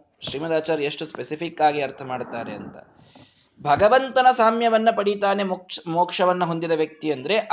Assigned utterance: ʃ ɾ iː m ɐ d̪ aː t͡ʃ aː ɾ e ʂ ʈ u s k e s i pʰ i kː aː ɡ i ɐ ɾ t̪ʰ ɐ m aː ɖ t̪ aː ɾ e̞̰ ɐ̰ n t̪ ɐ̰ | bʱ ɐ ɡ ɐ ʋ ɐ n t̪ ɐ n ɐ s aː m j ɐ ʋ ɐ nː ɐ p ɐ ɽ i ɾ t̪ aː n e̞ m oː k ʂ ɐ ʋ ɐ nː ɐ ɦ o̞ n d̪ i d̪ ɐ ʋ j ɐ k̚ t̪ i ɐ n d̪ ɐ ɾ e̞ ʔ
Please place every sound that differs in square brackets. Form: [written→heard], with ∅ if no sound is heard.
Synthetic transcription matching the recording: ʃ ɾ iː m ɐ d̪ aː t͡ʃ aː ɾ e ʂ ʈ u s [k→p] e s i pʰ i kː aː ɡ i ɐ ɾ t̪ʰ ɐ m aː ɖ t̪ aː ɾ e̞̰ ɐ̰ n t̪ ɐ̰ | bʱ ɐ ɡ ɐ ʋ ɐ n t̪ ɐ n ɐ s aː m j ɐ ʋ ɐ nː ɐ p ɐ ɽ i [ɾ→∅] t̪ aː n e̞ m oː k ʂ ɐ ʋ ɐ nː ɐ ɦ o̞ n d̪ i d̪ ɐ ʋ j ɐ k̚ t̪ i ɐ n d̪ ɐ ɾ e̞ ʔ